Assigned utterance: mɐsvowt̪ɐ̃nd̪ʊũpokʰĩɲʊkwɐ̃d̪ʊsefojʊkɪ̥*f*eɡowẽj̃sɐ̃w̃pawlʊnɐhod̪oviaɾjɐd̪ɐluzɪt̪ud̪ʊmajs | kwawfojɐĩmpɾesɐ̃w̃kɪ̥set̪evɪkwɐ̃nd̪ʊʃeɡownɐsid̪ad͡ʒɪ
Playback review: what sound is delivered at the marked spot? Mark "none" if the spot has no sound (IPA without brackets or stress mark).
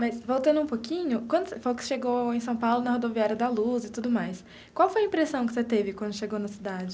ʃ